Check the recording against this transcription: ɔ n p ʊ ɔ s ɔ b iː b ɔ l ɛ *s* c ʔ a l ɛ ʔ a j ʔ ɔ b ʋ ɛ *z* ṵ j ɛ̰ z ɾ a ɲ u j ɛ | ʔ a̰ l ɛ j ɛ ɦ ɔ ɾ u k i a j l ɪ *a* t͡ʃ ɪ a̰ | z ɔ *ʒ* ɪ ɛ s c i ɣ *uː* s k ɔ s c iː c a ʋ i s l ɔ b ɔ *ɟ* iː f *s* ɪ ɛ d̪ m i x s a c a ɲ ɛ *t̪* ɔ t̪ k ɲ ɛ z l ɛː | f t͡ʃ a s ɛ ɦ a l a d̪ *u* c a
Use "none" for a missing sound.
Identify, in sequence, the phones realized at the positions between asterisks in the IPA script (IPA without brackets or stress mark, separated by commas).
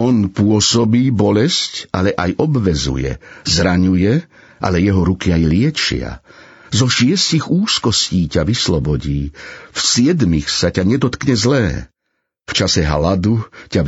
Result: s, z, ɛ, ʃ, uː, ɟ, s, d̪, u